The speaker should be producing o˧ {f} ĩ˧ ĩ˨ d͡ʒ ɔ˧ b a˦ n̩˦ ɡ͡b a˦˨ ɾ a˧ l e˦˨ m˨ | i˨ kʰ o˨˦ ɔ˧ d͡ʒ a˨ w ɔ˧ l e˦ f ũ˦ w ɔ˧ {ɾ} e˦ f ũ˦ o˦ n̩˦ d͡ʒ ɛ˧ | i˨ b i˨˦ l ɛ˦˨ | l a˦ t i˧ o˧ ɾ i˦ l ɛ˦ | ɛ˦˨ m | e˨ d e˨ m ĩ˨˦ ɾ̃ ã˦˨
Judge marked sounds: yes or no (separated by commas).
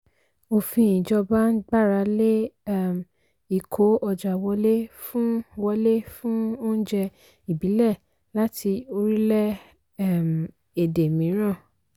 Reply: yes, no